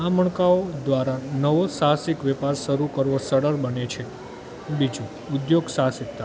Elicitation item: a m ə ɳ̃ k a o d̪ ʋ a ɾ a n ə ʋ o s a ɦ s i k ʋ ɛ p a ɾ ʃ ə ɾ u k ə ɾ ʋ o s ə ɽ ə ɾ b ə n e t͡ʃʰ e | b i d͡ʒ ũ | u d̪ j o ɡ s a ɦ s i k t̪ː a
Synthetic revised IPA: a m ə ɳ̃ k a o d̪ ʋ a ɾ a n ə ʋ o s a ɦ s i k ʋ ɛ p a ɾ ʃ ə ɾ u k ə ɾ ʋ o s ə ɽ ə ɾ b ə n e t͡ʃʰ e | b i d͡ʒ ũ | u d̪ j o ɡ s a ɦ s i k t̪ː a